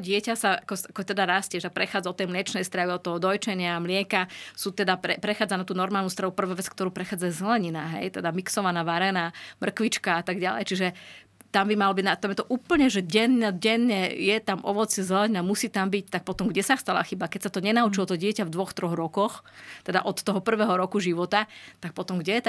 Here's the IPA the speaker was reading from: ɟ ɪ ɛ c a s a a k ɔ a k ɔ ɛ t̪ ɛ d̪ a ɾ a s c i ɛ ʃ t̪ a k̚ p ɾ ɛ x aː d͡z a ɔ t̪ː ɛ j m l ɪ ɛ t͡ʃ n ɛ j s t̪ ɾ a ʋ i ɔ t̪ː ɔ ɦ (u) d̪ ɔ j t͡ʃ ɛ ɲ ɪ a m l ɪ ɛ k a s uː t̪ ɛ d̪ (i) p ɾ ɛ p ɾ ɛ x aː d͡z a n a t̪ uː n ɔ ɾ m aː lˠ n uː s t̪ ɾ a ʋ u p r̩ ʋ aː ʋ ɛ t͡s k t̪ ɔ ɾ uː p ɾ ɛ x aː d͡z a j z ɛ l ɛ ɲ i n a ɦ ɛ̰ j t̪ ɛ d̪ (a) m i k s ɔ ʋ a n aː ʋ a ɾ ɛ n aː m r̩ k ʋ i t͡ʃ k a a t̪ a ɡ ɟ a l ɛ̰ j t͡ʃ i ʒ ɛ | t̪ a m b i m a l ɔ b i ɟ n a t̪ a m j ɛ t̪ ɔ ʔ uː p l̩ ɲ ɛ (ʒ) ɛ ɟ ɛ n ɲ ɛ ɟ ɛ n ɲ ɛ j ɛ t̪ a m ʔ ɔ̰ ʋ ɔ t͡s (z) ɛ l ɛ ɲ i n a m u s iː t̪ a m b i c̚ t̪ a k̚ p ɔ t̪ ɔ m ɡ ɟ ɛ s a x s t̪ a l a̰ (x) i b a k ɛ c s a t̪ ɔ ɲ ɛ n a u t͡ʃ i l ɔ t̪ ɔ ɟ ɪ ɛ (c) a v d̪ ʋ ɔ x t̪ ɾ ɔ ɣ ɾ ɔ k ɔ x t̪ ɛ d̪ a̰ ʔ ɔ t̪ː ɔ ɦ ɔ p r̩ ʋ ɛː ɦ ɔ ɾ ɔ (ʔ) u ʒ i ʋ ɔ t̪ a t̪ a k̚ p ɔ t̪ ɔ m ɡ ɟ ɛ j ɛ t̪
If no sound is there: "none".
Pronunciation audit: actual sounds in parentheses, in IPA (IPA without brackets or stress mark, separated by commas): ɔ, a, a, ʒ, z, x, c, k